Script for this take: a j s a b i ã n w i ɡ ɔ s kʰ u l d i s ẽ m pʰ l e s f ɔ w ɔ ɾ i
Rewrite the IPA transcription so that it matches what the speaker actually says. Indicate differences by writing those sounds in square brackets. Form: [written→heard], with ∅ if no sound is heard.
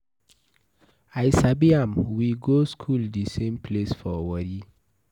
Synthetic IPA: a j s a b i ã [n→m] w i ɡ [ɔ→o] s kʰ u l d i s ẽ m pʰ l e s f ɔ w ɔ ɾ i